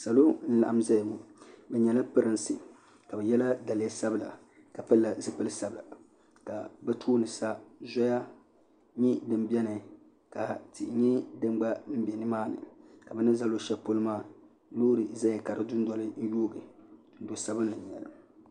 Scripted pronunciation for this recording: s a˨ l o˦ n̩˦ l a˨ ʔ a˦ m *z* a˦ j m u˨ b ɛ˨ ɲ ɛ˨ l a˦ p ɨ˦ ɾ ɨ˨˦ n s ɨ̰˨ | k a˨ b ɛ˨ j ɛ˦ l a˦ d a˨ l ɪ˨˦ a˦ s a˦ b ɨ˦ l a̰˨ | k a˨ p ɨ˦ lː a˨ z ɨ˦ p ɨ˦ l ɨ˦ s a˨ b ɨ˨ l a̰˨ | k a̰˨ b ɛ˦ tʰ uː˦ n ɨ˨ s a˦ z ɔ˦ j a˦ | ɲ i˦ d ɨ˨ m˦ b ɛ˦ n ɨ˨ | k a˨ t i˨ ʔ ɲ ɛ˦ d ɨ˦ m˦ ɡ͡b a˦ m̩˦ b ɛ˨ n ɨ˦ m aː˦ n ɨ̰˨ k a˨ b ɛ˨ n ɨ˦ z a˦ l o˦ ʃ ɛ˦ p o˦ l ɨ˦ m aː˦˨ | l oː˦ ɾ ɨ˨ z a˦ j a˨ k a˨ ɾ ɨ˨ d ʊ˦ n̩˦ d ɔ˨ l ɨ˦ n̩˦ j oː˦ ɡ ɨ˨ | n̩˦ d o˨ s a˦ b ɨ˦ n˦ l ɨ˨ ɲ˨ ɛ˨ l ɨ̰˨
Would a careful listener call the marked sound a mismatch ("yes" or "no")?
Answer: no